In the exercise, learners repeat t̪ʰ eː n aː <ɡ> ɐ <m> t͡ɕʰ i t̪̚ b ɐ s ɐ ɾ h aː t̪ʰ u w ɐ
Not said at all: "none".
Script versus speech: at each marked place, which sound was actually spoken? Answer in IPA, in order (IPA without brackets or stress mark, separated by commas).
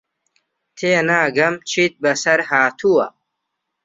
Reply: ɡ, m